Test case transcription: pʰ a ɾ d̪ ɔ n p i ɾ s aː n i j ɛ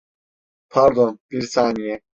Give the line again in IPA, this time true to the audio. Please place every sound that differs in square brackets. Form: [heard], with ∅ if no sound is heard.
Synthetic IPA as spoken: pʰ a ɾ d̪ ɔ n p i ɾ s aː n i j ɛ